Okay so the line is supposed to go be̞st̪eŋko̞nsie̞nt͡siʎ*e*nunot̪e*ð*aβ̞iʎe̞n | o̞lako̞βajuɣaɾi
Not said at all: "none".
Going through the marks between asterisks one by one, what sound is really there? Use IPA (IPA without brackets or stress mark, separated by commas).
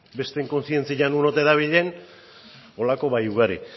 a, ð